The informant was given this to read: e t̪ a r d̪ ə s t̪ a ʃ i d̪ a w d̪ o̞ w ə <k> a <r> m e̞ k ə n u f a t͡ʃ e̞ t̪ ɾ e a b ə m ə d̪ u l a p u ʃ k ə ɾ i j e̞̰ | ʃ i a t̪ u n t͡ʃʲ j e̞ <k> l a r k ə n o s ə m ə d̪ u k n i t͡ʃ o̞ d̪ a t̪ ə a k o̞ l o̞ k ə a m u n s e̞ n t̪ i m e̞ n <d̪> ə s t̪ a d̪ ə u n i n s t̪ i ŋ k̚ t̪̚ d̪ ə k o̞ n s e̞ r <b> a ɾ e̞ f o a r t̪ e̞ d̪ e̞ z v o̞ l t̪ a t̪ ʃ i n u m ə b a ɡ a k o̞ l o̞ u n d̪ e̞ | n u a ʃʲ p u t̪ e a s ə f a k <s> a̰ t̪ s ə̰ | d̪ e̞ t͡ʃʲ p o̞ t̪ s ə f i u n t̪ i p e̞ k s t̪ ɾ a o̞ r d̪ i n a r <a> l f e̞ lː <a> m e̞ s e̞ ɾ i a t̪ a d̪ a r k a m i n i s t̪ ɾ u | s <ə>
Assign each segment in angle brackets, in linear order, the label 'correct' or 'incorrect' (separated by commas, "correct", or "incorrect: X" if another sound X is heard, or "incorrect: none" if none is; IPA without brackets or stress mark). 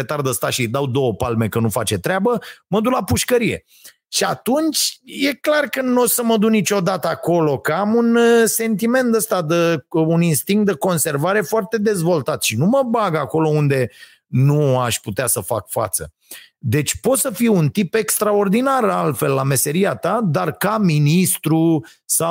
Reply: incorrect: p, incorrect: l, correct, incorrect: t̪, incorrect: v, incorrect: f, correct, correct, incorrect: a